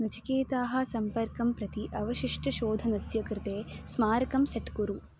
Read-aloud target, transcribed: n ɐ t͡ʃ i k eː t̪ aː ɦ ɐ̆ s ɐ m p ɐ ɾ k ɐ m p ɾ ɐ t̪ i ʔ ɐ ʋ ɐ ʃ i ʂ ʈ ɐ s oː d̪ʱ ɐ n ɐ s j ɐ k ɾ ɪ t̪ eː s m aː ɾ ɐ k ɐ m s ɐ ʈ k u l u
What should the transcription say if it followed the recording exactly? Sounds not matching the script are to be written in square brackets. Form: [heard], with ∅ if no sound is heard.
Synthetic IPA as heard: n ɐ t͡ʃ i k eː t̪ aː ɦ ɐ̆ s ɐ m p ɐ ɾ k ɐ m p ɾ ɐ t̪ i ʔ ɐ ʋ ɐ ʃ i ʂ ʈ ɐ [ʃ] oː d̪ʱ ɐ n ɐ s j ɐ k ɾ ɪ t̪ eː s m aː ɾ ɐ k ɐ m s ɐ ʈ k u [ɾ] u